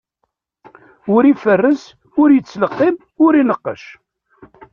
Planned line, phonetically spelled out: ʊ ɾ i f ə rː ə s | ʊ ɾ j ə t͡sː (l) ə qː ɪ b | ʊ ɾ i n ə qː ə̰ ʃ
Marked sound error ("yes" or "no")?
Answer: no